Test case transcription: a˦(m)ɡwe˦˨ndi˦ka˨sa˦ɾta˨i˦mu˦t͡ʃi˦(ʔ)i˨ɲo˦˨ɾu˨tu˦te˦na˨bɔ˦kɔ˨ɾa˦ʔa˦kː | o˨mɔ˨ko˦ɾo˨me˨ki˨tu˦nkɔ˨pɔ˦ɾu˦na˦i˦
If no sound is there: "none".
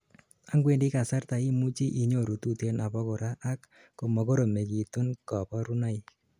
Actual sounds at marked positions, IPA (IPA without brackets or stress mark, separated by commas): ŋ, ʔ